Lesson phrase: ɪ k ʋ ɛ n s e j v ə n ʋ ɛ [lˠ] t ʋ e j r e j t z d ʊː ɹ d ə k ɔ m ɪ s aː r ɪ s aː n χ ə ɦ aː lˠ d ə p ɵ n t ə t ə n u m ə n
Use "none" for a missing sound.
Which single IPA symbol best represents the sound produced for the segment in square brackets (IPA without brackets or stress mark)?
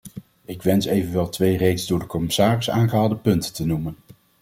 lˠ